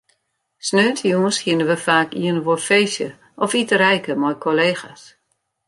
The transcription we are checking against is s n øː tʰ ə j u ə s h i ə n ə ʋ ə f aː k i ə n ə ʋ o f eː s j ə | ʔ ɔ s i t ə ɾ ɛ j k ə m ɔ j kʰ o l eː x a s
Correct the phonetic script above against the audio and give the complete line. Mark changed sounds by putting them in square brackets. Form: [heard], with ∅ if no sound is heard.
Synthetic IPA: s n øː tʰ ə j u ə s h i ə n ə ʋ ə f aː k i ə n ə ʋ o f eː s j ə | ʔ ɔ [f] i t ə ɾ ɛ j k ə m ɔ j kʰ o l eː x a s

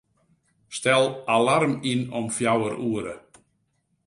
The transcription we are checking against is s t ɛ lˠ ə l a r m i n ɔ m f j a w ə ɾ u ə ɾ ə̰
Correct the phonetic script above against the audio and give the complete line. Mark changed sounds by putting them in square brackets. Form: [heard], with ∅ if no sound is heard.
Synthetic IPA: s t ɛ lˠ [a] l a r m i n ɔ m f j a w ə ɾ u ə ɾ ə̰

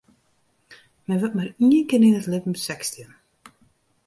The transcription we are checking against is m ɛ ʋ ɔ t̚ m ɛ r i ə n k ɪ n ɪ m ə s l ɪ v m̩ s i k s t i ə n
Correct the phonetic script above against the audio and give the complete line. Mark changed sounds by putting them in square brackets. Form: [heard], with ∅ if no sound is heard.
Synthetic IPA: m ɛ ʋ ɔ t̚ m [a] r i ə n k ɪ n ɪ [n] ə [t] l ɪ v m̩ s [ɛ] k s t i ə n

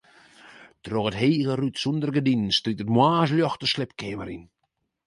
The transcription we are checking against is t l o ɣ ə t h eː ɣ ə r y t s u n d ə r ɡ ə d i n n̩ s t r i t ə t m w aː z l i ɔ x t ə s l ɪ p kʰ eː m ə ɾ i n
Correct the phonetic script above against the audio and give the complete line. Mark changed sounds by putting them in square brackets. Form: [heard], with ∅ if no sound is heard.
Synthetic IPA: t [r] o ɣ ə t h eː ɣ ə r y t s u n d ə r ɡ ə d i n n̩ s t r i t ə t m w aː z l [j] ɔ x t ə s l ɪ p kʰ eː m ə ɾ i n

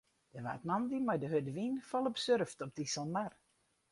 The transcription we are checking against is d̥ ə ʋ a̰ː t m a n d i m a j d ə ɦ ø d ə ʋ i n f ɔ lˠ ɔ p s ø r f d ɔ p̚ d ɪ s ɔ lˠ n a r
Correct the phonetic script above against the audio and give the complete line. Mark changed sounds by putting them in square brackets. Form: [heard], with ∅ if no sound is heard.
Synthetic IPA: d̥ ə ʋ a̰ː t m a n d i m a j d ə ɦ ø d ə ʋ i n f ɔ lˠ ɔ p s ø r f [t] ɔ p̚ d [i] s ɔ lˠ [m] a r

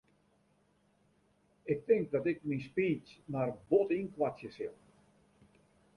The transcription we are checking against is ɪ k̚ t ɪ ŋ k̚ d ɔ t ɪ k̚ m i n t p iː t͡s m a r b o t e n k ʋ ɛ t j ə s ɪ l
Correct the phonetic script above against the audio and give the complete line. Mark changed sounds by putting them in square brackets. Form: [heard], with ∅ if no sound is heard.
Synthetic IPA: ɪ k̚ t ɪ ŋ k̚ d ɔ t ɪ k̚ m i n [s] p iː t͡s m a r b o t [i] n k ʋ [a] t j ə s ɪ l

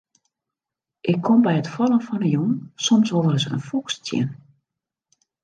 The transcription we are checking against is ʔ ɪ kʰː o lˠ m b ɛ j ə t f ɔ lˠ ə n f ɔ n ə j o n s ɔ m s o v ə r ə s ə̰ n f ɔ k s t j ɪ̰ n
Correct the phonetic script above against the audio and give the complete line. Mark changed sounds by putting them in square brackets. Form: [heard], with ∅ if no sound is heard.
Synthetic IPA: ʔ ɪ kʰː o [∅] m b ɛ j ə t f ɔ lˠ ə n f ɔ n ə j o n s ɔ m s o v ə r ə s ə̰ n f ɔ k s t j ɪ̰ n

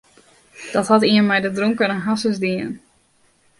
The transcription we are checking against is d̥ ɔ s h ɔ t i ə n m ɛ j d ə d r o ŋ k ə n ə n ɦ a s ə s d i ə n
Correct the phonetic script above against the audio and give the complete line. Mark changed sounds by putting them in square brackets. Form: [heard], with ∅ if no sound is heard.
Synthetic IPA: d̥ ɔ [t] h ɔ t i ə n m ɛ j d ə d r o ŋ k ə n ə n ɦ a s ə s d i ə n

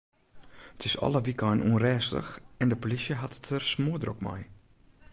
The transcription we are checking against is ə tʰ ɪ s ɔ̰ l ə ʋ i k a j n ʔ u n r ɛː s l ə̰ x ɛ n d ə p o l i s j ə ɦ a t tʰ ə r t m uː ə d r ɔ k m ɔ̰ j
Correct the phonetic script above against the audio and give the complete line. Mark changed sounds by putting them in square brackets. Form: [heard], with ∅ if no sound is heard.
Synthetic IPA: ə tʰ ɪ s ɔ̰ l ə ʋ i k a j n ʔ u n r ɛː s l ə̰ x ɛ n d ə p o l i s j ə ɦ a t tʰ ə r [s] m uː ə d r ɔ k m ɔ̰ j

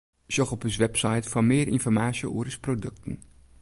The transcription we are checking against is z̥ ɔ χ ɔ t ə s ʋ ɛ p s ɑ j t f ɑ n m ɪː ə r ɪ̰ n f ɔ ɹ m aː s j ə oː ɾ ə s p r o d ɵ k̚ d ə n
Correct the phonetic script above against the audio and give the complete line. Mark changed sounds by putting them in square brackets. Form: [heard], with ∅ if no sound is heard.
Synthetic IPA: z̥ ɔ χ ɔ [p] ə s ʋ ɛ p s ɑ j t f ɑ n m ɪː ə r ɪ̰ n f ɔ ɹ m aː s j ə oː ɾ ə s p r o d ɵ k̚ [t] ə n

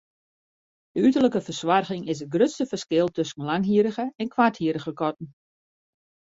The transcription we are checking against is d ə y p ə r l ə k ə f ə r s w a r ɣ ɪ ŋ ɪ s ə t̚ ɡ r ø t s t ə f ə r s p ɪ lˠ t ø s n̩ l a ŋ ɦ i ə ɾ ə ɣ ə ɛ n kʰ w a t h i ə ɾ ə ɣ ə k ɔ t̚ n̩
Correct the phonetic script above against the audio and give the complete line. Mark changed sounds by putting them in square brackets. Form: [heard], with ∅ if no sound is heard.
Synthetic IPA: d ə y [t] ə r l ə k ə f ə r s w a r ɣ ɪ ŋ ɪ s ə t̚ ɡ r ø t s t ə f ə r s [k] ɪ lˠ t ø s n̩ l a ŋ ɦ i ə ɾ ə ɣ ə ɛ n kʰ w a t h i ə ɾ ə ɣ ə k ɔ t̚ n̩

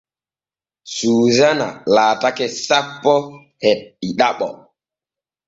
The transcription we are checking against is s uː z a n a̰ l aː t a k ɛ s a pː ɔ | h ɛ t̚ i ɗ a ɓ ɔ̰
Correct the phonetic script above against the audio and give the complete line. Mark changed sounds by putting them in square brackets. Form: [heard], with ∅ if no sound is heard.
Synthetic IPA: s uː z a n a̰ l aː t a k ɛ s a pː ɔ | h ɛ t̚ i ɗ a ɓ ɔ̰

